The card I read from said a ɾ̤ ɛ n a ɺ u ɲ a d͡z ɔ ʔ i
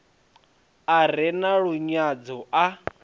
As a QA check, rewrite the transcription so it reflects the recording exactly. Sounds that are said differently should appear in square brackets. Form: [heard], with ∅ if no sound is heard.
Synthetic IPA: a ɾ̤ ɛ n a ɺ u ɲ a d͡z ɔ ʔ [a]